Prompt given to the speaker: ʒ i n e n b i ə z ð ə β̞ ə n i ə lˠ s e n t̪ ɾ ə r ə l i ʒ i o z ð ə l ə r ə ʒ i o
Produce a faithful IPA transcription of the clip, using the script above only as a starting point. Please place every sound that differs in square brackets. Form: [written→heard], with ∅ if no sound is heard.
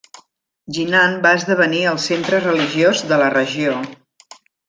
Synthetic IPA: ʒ i n [e→a] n b [i→a] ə z ð ə β̞ ə n i ə lˠ s e n t̪ ɾ ə r ə l i ʒ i o z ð ə l ə r ə ʒ i o